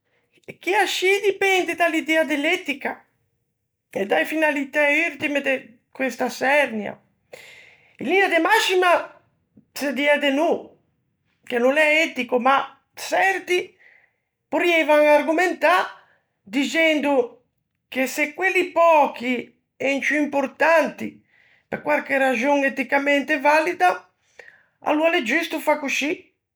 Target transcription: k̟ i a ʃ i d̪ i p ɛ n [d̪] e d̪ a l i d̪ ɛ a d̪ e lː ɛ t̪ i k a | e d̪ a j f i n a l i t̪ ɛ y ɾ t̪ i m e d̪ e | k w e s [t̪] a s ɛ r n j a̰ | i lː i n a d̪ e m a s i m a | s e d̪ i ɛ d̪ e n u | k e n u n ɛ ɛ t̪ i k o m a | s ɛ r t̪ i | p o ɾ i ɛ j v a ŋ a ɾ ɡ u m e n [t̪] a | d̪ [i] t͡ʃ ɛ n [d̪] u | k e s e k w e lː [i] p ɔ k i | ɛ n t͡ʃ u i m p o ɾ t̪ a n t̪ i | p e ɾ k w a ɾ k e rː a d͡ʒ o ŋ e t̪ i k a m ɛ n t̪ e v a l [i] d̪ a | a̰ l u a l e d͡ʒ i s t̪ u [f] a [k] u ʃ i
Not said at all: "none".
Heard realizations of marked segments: d̪, t̪, t̪, i, d̪, i, i, f, k

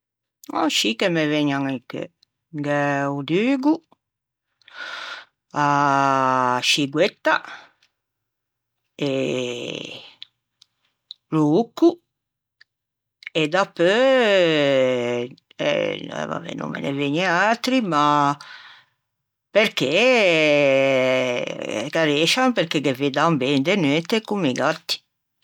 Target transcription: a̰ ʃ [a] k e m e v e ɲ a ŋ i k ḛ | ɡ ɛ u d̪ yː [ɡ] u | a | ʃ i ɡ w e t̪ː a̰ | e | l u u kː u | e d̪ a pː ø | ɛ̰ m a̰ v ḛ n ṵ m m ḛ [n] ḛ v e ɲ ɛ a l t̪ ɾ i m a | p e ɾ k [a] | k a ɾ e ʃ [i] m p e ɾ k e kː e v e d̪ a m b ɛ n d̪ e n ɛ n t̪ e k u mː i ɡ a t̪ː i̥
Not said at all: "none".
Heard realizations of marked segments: i, ɡ, n, e, a

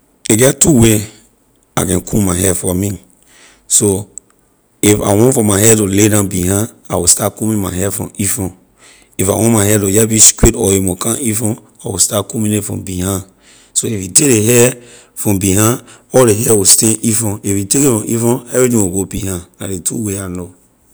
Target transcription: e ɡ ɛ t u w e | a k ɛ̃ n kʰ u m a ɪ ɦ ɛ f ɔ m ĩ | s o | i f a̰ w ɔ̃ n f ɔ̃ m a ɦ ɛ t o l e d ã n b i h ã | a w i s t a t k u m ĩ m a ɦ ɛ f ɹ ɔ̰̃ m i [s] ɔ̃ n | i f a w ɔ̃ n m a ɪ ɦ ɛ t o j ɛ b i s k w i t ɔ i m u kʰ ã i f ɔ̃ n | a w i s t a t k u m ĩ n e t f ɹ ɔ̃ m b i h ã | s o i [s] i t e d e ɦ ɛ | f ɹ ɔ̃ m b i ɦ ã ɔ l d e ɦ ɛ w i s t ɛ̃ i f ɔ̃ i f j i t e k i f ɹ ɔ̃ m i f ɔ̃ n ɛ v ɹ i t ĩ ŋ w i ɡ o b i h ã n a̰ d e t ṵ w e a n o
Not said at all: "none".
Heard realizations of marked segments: f, f

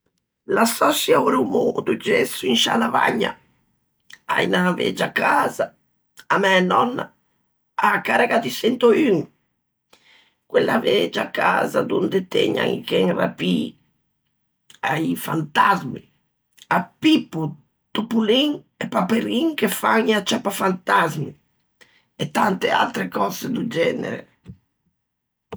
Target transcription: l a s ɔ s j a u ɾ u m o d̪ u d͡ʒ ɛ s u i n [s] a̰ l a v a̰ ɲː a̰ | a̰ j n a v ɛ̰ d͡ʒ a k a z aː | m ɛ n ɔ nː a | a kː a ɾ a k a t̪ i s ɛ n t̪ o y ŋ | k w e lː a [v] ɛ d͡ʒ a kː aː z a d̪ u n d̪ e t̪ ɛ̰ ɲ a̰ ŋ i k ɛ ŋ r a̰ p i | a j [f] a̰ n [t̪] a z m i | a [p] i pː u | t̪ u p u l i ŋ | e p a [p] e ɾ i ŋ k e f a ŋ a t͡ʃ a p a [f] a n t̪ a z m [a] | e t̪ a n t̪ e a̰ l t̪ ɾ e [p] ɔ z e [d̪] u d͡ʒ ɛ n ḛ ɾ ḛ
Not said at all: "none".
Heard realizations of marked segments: ʃ, v, f, t̪, p, p, f, i, k, d̪

